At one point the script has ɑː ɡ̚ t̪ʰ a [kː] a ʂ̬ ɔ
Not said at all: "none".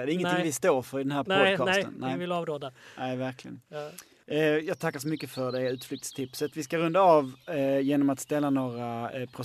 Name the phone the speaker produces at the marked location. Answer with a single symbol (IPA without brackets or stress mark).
kː